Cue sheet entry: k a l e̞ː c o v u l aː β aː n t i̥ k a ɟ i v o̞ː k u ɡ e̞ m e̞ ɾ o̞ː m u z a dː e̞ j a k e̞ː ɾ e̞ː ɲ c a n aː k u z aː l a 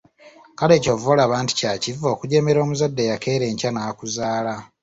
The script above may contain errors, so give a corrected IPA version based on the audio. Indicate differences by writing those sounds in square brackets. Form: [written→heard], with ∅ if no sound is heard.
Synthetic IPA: k a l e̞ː c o v [u→o] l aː β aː n t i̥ [k→c] a [ɟ→c] i v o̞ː k u [ɡ→ɟ] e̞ m e̞ ɾ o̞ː m u z a dː e̞ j a k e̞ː ɾ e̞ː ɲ c a n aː k u z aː l a